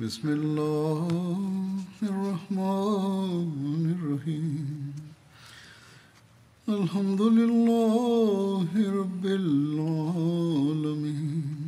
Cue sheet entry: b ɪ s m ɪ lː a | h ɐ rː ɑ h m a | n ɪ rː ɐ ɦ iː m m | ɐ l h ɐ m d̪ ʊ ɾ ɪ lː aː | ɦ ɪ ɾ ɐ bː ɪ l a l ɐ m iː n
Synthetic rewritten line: b ɪ s m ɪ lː a | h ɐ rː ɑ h m a | n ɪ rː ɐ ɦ iː m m | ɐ l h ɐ m d̪ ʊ l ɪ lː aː | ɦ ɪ ɾ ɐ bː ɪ l a l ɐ m iː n